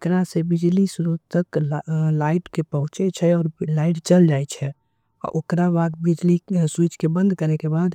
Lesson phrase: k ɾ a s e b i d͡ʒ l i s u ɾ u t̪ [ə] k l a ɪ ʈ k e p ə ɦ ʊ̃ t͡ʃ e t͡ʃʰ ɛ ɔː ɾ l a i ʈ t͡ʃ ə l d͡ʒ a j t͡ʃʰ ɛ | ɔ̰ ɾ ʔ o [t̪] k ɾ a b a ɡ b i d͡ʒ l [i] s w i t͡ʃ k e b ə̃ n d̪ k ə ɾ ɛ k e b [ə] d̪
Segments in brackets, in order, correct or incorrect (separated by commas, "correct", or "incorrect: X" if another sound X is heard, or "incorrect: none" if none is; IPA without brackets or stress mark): correct, incorrect: none, correct, incorrect: a